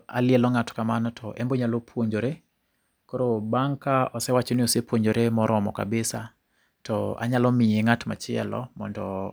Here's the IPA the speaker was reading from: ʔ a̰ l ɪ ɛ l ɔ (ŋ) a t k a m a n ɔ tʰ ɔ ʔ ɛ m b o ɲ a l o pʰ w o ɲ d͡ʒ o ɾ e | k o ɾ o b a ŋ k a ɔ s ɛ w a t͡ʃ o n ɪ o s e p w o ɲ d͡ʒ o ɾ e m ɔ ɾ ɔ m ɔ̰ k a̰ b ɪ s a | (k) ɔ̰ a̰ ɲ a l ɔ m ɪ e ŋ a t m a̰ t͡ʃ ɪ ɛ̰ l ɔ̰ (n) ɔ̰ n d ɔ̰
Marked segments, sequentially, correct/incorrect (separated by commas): correct, incorrect, incorrect